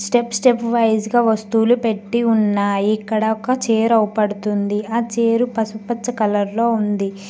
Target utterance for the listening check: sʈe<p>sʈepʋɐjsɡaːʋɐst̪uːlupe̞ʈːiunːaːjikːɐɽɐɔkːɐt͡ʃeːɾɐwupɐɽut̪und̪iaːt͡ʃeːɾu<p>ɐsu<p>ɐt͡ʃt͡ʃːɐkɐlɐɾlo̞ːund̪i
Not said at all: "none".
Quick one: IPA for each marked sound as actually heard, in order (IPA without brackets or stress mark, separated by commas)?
p, p, p